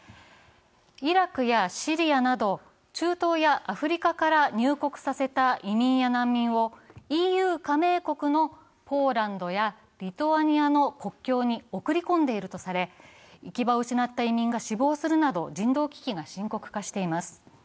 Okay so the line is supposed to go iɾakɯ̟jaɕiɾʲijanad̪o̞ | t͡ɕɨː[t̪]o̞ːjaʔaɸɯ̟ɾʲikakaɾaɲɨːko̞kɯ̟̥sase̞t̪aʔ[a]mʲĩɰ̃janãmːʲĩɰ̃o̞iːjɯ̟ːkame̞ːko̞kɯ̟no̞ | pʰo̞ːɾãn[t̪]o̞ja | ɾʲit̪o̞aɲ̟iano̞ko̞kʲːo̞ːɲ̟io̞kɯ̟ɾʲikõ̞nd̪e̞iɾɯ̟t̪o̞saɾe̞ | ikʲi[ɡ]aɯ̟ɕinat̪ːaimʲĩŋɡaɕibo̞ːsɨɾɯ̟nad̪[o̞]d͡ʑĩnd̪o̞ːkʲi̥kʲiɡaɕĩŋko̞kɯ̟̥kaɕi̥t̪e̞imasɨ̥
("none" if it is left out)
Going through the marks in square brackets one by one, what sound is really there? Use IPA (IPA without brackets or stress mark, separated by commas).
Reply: t̪, i, d̪, b, o̞